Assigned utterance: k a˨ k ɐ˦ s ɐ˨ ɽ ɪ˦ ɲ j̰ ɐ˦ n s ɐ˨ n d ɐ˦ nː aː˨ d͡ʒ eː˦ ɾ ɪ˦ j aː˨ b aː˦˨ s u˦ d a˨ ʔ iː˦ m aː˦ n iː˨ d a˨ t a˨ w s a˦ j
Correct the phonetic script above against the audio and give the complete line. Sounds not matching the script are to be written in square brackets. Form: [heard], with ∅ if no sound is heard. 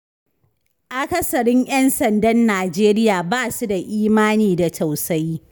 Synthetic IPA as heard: [ʔ] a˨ k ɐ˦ s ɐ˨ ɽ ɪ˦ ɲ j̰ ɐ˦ n s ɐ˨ n d ɐ˦ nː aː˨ d͡ʒ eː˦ ɾ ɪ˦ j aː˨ b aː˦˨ s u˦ d a˨ ʔ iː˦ m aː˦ n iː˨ d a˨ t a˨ w s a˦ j